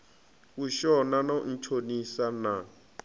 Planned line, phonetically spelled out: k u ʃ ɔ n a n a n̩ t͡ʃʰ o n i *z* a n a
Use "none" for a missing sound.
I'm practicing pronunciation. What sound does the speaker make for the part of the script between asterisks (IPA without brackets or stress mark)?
s